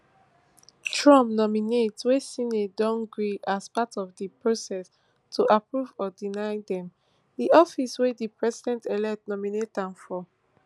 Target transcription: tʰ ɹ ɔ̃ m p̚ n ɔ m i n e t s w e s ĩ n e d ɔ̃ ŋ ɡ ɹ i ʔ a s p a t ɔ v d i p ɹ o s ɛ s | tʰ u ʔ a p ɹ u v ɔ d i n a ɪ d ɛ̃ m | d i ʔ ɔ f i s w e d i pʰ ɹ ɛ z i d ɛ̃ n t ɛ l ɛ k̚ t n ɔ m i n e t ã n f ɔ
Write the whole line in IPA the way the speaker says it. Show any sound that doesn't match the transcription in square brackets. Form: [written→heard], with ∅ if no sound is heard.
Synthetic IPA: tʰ ɹ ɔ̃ m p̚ n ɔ m i n e t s w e s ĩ n e d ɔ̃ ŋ ɡ ɹ i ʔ a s p a t ɔ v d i p ɹ o s ɛ s | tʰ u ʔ a p ɹ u v ɔ d i n a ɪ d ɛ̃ m | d i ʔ ɔ f i s w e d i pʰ ɹ ɛ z i d ɛ̃ n t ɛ l ɛ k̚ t n ɔ m i n e t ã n f ɔ